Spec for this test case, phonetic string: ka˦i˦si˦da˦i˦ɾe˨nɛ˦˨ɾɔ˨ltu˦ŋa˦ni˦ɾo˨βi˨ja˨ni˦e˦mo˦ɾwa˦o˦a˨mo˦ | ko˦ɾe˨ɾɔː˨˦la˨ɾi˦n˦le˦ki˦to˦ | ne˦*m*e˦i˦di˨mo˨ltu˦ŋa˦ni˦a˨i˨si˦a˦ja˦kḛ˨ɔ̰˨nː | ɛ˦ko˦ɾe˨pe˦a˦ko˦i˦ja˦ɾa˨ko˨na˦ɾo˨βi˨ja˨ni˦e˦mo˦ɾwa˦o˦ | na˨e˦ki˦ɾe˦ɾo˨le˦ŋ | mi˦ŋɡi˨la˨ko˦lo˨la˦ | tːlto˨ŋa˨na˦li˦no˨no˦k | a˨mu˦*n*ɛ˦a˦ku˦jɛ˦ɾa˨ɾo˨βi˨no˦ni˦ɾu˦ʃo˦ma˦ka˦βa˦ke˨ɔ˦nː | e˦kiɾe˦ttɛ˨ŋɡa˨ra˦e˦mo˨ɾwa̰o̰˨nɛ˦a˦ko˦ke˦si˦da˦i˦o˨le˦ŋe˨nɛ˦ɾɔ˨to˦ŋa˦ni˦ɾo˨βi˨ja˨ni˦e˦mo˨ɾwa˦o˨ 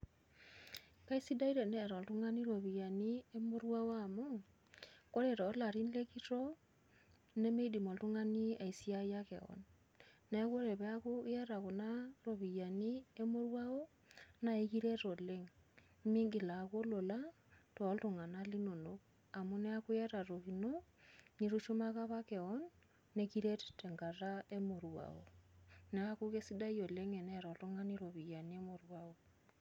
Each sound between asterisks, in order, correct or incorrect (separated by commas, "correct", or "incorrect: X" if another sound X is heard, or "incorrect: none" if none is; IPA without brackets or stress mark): correct, correct